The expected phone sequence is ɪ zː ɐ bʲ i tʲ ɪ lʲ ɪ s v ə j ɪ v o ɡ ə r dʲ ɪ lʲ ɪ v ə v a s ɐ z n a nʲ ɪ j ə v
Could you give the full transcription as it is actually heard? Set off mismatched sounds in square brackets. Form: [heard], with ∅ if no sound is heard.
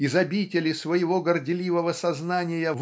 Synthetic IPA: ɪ [z] ɐ bʲ i tʲ ɪ lʲ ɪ s v ə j ɪ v o ɡ ə r dʲ ɪ lʲ [i] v ə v [ə] s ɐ z n a nʲ ɪ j ə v